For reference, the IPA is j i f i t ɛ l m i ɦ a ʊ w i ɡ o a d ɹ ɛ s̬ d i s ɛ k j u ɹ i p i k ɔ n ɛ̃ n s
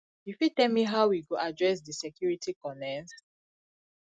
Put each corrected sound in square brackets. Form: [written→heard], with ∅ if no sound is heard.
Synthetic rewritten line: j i f i t ɛ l m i ɦ a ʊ w i ɡ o a d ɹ ɛ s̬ d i s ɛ k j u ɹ i [p→t] i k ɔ n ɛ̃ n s